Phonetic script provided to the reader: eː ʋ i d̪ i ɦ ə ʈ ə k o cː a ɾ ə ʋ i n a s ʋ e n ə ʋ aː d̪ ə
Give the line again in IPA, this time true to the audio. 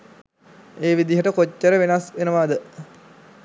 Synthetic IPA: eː ʋ i d̪ i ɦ ə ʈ ə k o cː ə ɾ ə ʋ e n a s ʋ e n ə ʋ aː d̪ ə